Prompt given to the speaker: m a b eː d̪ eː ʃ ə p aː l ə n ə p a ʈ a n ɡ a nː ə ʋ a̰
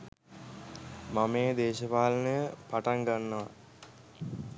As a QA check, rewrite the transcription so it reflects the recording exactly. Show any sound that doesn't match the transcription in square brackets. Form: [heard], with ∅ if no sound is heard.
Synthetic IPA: m a [m] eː d̪ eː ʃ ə p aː l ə n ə p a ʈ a [ŋ] ɡ a nː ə ʋ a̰